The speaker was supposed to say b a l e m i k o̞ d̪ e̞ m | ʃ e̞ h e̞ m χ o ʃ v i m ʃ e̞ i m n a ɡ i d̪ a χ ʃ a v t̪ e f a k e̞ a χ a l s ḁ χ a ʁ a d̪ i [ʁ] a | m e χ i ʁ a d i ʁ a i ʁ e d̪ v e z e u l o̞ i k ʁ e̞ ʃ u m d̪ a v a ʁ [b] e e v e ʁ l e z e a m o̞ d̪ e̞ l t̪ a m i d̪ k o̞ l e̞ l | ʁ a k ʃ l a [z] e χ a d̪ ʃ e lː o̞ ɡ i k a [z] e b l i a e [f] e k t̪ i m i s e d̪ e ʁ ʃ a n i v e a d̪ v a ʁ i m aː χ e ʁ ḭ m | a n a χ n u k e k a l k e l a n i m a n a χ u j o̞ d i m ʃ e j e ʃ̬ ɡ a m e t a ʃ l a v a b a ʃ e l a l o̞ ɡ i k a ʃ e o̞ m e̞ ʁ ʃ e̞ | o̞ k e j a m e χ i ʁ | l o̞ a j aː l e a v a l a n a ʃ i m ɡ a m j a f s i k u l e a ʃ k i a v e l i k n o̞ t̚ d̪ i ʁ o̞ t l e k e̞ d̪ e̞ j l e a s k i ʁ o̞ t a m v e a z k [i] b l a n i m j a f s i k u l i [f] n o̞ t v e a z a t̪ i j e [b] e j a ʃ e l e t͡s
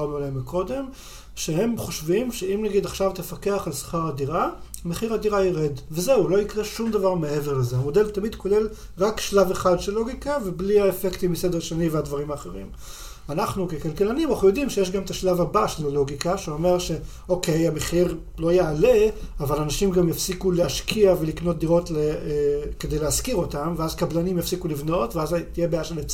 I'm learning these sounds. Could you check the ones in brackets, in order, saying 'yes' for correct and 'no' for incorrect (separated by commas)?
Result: yes, no, no, no, yes, no, no, yes